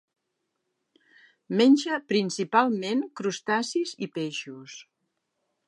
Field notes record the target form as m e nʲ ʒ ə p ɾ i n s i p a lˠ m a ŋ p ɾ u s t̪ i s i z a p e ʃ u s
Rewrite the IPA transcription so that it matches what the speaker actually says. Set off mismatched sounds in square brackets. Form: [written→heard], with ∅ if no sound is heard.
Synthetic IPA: m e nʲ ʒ ə p ɾ i n s i p a lˠ m [a→e] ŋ [p→k] ɾ u s t̪ [i→a] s i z [a→i] p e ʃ u s